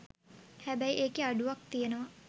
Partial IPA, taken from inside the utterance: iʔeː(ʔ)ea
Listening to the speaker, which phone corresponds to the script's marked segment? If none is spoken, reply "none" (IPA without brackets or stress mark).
k